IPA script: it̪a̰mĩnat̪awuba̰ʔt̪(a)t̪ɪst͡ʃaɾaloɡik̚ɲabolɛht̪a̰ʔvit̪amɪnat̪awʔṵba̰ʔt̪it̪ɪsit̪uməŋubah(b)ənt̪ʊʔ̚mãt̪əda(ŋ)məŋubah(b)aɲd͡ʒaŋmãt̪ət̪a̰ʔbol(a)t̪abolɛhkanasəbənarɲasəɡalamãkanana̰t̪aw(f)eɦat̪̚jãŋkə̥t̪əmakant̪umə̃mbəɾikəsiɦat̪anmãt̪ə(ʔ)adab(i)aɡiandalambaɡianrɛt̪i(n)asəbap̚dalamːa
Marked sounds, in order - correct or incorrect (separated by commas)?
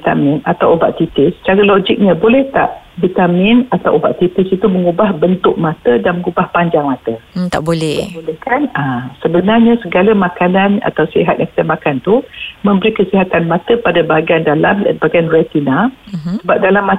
incorrect, correct, incorrect, incorrect, incorrect, incorrect, incorrect, incorrect, correct